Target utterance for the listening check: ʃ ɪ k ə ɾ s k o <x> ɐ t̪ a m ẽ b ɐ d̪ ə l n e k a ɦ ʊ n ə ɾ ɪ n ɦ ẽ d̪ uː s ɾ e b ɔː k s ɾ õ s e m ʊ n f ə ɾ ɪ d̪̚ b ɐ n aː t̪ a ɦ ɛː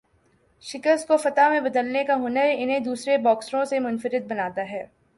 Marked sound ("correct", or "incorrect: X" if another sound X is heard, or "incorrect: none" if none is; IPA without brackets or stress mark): incorrect: f